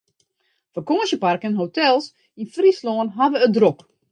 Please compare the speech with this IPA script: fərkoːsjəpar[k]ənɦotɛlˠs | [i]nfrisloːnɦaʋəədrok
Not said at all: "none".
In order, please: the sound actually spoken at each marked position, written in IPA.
k, i

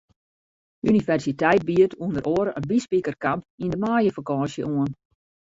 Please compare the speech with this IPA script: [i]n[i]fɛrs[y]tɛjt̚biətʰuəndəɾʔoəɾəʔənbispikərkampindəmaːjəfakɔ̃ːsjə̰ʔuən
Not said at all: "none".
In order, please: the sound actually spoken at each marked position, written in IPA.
y, i, i

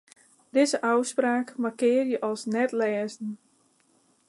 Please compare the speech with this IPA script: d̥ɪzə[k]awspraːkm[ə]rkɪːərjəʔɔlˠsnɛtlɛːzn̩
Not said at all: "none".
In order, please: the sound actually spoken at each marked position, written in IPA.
ʔ, a

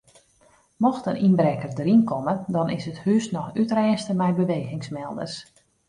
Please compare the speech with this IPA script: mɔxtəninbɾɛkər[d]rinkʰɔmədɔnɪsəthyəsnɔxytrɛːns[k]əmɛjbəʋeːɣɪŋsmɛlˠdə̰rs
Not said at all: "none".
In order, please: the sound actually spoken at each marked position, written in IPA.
d, t

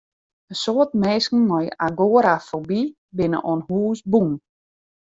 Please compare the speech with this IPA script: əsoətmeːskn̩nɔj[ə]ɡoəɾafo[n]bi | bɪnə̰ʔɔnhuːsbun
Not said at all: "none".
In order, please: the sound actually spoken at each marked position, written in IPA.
a, none

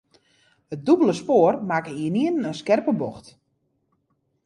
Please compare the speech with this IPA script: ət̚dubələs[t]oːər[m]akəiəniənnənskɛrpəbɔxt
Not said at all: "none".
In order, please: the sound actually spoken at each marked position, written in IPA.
p, m

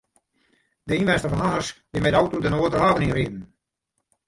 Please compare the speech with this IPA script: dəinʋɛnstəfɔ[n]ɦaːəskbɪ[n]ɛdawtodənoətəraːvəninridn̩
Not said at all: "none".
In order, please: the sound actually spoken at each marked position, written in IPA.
n, m

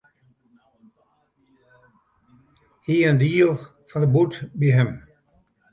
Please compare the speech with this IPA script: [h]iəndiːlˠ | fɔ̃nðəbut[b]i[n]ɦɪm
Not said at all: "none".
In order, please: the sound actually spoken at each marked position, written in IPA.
h, b, none

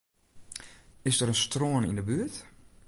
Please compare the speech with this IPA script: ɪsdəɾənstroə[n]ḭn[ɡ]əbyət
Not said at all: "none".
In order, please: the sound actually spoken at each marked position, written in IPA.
n, d

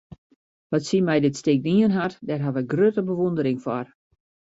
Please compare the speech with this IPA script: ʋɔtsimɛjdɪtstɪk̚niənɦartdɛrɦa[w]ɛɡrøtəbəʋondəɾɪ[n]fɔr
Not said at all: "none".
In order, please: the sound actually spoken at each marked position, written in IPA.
ʋ, ŋ

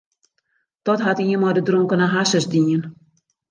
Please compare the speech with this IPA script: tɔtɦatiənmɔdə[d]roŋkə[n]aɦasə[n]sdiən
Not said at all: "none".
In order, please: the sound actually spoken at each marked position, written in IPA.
d, n, none

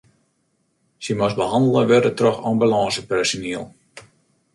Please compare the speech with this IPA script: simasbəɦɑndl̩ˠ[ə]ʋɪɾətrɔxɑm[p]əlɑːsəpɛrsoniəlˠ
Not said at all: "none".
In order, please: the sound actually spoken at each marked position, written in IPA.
ə, b

